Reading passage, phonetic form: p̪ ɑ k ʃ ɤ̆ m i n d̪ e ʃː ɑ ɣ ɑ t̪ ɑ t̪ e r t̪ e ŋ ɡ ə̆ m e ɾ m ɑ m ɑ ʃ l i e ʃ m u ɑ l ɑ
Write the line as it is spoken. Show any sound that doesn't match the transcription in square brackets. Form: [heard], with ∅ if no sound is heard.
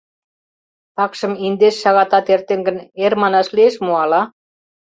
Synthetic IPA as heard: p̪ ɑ k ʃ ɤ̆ m i n d̪ e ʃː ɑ ɣ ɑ t̪ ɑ t̪ e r t̪ e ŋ ɡ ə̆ [n] e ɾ m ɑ [n] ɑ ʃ l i e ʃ m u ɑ l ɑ